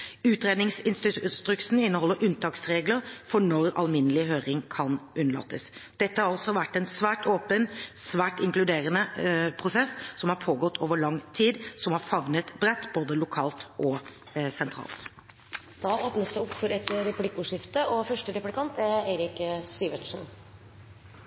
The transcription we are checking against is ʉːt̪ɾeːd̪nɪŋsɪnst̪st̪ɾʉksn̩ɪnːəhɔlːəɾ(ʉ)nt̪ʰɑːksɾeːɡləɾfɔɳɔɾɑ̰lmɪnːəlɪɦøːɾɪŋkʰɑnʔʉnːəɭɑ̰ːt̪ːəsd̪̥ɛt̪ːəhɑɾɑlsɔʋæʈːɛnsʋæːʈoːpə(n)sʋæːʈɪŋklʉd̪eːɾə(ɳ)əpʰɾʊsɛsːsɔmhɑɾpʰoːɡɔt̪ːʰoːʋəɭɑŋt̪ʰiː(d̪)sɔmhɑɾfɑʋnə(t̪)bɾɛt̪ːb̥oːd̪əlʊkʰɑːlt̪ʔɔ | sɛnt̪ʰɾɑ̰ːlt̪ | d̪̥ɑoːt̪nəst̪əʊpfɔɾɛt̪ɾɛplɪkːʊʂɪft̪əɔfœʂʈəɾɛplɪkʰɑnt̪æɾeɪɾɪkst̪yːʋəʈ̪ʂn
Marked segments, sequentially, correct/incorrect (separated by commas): correct, correct, incorrect, correct, correct